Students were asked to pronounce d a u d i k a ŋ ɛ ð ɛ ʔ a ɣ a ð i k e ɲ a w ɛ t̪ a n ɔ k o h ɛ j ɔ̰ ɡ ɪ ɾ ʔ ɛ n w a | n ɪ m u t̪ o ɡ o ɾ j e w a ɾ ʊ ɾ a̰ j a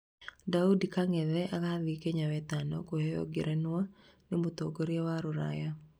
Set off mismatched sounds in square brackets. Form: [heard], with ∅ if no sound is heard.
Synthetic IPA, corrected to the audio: d a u d i k a ŋ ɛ ð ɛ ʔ a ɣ a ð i k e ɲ a w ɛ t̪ a n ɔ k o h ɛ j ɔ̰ ɡ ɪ ɾ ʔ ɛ n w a | n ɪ m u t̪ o ɡ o ɾ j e w a ɾ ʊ ɾ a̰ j a